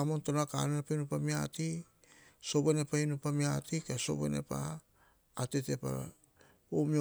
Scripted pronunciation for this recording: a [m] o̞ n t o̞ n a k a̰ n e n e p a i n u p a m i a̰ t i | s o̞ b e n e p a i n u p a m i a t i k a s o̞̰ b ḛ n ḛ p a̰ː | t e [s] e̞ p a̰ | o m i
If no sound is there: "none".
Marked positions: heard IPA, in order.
m, t

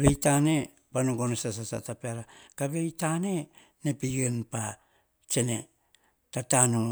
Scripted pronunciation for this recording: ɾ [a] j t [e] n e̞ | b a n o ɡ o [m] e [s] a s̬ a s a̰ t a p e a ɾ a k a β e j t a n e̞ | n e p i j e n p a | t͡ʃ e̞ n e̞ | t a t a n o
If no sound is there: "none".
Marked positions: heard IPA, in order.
e, a, n, s

